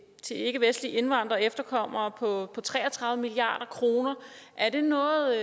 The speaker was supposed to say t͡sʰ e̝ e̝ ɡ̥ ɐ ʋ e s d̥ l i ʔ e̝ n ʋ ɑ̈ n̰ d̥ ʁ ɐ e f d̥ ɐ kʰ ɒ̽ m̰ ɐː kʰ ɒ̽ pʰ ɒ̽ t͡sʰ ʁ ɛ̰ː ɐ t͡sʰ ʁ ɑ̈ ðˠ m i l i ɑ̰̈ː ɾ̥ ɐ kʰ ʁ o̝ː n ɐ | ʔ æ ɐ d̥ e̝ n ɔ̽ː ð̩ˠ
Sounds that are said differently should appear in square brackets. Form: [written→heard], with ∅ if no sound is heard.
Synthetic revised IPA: t͡sʰ e̝ e̝ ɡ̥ [ɐ→ə] ʋ e s d̥ l i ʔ e̝ n ʋ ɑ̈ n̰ d̥ ʁ ɐ e f d̥ ɐ kʰ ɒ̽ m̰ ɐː [kʰ→pʰ] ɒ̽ pʰ ɒ̽ t͡sʰ ʁ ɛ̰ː ɐ t͡sʰ ʁ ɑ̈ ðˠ m i l i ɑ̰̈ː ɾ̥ ɐ kʰ ʁ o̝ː n ɐ | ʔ æ ɐ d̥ e̝ n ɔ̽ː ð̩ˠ